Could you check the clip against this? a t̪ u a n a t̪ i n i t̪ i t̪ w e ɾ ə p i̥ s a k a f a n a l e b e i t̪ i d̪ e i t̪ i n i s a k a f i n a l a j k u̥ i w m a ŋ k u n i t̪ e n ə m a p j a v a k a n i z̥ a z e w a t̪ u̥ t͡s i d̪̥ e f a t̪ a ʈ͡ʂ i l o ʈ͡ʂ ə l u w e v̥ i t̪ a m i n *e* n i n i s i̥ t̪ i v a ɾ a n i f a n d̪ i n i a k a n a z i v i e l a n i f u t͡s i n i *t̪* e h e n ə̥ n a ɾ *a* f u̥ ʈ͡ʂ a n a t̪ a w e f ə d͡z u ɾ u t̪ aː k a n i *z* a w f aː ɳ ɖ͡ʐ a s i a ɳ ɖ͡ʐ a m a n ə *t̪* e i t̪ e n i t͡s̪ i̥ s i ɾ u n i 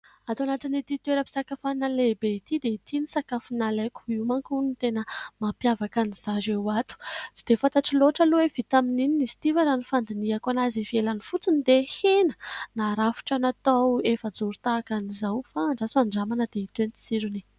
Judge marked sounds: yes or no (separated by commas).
no, no, yes, yes, no